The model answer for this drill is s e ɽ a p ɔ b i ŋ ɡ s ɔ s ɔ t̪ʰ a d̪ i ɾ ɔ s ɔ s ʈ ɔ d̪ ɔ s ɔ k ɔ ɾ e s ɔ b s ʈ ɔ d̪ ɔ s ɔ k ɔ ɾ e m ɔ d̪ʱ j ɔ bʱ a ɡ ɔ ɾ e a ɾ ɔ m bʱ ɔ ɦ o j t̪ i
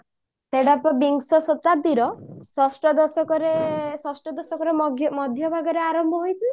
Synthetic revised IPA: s e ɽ a p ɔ b i ŋ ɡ s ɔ s ɔ t̪ a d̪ i ɾ ɔ s ɔ s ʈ ɔ d̪ ɔ s ɔ k ɔ ɾ e s ɔ s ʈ ɔ d̪ ɔ s ɔ k ɔ ɾ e m ɔ d̪ʱ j ɔ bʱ a ɡ ɔ ɾ e a ɾ ɔ m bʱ ɔ ɦ o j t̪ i